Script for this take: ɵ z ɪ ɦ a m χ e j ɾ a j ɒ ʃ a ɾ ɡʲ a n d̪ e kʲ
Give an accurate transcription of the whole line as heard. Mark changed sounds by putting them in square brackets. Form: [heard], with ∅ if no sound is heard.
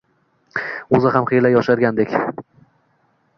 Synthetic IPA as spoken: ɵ z ɪ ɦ a m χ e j [l] a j ɒ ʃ a ɾ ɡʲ a n d̪ e kʲ